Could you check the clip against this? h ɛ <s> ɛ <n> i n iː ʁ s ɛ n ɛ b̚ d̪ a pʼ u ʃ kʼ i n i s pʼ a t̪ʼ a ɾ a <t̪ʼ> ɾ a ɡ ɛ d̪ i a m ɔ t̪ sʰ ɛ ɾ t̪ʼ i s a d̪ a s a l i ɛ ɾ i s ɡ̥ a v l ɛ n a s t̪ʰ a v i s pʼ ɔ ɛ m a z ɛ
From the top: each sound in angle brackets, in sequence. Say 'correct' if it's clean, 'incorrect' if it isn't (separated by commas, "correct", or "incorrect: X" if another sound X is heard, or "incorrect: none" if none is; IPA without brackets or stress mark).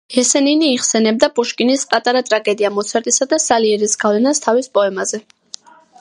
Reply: correct, correct, correct